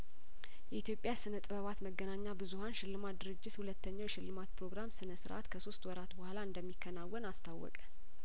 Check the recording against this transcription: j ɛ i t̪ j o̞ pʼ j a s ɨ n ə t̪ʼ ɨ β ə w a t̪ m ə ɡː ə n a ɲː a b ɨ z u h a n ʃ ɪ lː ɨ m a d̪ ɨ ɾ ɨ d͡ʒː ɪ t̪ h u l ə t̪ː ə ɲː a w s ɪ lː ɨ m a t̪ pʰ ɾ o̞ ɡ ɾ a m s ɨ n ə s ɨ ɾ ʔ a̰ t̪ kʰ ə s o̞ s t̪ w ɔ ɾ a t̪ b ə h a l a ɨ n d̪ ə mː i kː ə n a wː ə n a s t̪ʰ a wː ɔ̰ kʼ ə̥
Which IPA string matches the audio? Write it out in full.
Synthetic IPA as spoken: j ɛ i t̪ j o̞ pʼ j a s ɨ n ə t̪ʼ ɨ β ə β a t̪ m ə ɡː ə n a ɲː a b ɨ z u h a n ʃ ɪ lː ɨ m a d̪ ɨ ɾ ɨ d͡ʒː ɪ t̪ h u l ə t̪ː ə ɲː a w ʃ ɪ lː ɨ m a t̪ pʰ ɾ o̞ ɡ ɾ a m s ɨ n ə s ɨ ɾ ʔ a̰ t̪ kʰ ə s o̞ s t̪ w ɔ ɾ a t̪ b ə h a l a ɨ n d̪ ə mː i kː ə n a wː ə n a s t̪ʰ a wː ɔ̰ kʼ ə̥